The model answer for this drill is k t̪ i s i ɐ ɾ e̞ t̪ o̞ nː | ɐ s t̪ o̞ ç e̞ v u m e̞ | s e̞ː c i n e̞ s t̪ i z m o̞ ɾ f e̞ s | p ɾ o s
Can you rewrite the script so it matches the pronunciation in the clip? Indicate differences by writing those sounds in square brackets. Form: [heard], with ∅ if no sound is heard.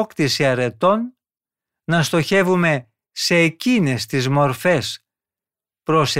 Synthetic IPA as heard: k t̪ i s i ɐ ɾ e̞ t̪ o̞ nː | ɐ s t̪ o̞ ç e̞ v u m e̞ | s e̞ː c i n e̞ s t̪ i z m o̞ ɾ f e̞ s | p ɾ o s